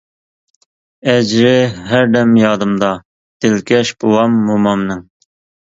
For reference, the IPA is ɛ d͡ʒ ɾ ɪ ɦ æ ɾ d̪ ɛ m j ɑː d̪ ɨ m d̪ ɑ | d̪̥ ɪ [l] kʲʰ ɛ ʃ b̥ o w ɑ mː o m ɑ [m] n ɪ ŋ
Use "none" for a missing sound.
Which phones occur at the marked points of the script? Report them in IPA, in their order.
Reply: l, m

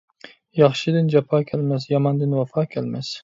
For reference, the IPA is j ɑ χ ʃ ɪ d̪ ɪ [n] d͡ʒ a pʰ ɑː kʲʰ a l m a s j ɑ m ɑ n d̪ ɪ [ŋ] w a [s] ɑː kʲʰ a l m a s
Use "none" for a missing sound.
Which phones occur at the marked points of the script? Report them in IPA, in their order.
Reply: n, n, f

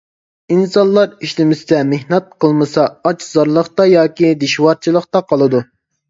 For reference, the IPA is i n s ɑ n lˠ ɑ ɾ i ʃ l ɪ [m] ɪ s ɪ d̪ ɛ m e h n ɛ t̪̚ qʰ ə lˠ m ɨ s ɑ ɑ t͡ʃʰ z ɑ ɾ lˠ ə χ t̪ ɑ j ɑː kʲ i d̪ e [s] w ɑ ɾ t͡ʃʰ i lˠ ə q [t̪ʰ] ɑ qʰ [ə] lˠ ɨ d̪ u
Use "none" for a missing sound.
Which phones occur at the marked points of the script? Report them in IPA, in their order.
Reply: m, ʃ, t̪, ɑ

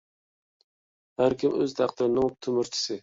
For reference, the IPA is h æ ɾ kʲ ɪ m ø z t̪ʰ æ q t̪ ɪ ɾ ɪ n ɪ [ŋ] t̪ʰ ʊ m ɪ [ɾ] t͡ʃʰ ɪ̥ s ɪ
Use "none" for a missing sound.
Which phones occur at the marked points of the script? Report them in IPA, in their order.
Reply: ŋ, ɾ

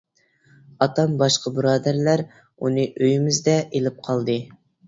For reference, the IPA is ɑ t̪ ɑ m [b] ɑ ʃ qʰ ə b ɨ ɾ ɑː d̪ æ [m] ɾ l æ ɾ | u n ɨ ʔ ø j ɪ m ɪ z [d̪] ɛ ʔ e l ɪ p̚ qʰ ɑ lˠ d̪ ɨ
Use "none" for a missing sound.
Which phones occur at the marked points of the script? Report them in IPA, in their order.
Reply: b, none, d̪

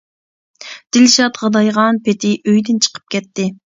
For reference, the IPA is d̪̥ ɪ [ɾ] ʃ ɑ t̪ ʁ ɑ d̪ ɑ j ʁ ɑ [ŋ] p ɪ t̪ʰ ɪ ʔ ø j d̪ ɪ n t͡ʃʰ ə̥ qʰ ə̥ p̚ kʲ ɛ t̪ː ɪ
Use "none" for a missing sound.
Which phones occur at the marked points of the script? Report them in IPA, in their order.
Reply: l, n

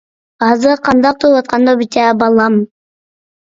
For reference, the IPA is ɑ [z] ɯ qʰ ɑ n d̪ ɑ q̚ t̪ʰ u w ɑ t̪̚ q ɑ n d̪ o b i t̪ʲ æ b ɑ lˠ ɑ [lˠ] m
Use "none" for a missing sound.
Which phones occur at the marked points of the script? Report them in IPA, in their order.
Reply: z, none

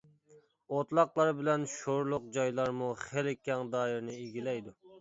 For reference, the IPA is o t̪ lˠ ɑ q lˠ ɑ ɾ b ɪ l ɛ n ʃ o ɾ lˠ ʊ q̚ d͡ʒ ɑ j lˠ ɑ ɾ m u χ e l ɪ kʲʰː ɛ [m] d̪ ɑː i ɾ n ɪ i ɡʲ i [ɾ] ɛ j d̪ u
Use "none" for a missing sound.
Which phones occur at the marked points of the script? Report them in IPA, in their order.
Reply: ŋ, l

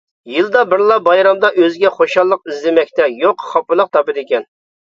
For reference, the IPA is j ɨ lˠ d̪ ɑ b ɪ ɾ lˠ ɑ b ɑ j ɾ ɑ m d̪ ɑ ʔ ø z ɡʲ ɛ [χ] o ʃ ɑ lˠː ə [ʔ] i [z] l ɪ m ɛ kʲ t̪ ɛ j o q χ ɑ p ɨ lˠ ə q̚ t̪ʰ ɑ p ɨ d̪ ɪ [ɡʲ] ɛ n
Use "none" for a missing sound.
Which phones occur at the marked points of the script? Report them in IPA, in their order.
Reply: χ, q, z, kʲ

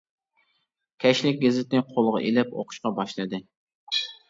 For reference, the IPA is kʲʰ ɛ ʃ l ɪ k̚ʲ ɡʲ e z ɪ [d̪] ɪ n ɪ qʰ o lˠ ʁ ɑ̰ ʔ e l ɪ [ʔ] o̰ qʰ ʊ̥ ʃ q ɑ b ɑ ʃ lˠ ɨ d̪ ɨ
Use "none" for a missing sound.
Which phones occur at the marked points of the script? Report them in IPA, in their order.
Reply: t̪, p

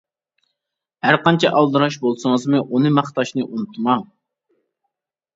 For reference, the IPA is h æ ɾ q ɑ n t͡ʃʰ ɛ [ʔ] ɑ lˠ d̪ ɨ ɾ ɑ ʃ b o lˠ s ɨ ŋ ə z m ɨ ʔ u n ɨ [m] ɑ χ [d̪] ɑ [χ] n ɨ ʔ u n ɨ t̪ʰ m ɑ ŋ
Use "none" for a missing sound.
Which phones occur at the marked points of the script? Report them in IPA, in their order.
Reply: ʔ, m, t̪, ʃ

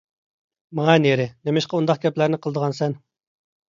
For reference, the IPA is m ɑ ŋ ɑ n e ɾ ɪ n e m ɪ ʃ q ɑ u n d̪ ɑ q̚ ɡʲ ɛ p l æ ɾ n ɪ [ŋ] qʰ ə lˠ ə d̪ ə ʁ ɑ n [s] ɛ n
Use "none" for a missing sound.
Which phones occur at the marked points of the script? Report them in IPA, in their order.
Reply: none, s

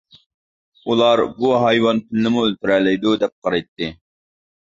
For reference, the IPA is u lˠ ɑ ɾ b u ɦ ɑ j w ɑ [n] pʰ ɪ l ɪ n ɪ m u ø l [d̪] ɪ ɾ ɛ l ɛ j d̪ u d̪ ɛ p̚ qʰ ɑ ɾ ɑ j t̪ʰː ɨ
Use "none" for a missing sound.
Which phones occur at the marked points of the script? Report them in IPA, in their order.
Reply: n, t̪

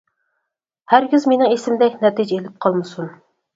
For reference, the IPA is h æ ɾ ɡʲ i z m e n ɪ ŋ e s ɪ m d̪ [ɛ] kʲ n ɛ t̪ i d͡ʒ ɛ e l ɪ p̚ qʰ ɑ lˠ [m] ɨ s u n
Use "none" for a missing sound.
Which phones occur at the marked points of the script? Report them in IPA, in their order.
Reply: ɛ, m

